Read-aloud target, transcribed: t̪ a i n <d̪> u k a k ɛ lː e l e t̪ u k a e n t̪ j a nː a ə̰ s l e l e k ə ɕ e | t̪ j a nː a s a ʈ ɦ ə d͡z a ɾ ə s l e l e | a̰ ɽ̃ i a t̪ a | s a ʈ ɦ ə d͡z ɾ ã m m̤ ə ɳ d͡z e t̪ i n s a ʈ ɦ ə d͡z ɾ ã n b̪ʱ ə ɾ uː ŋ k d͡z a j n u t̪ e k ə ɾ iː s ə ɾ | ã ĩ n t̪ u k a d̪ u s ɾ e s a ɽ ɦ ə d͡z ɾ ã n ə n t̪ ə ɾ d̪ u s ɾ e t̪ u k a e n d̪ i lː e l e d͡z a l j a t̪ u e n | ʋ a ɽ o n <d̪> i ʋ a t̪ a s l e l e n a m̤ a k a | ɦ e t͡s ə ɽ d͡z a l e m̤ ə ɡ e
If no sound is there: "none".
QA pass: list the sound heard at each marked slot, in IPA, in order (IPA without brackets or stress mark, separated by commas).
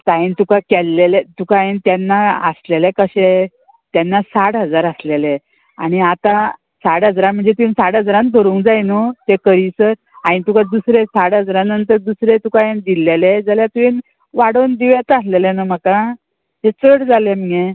t̪, d̪